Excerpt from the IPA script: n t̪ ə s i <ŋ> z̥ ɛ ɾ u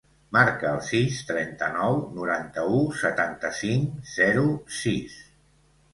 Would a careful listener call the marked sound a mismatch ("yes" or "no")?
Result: no